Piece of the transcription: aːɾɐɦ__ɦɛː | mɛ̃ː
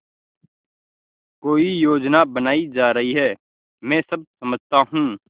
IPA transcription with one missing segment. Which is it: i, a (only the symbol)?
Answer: i